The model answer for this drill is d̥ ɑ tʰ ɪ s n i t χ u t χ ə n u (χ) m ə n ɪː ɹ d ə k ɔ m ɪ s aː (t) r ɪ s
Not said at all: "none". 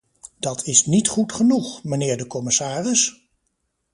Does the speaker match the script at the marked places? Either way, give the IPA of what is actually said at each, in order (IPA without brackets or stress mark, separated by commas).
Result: χ, none